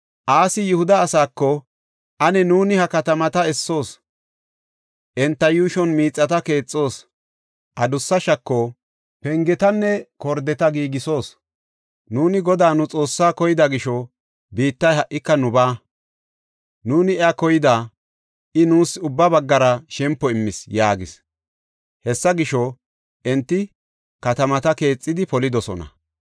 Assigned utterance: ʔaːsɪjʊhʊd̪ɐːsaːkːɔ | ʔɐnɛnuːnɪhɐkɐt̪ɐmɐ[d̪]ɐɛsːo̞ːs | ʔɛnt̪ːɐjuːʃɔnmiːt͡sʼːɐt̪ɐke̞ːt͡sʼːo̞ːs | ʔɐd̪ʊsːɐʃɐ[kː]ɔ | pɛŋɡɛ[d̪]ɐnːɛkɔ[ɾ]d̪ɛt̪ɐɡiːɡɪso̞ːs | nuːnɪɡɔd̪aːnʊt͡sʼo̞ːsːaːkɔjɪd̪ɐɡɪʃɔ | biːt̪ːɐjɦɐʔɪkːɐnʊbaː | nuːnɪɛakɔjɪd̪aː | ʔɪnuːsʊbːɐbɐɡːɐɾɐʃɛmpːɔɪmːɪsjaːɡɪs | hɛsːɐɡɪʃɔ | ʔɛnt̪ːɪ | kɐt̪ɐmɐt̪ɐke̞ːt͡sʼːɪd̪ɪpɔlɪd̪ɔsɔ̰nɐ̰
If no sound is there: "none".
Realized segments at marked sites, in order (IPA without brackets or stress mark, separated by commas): t̪, kː, t̪, ɾ